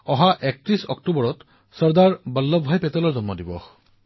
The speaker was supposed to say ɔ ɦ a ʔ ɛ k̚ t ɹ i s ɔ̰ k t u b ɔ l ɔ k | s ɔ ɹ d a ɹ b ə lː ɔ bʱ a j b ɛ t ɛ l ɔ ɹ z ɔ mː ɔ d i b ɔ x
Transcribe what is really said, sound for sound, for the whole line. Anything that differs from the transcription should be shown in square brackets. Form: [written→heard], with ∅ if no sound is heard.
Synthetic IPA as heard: ɔ ɦ a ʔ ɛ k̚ t ɹ i s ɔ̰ k t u b ɔ [l→ɹ] ɔ [k→t] | s ɔ ɹ d a ɹ b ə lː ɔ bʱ a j [b→p] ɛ t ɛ l ɔ ɹ z ɔ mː ɔ d i b ɔ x